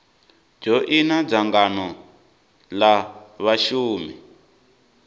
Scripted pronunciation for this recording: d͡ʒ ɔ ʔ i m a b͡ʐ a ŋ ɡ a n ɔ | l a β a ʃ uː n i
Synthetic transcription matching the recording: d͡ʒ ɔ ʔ i n a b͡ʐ a ŋ ɡ a n ɔ | l a β a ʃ uː m i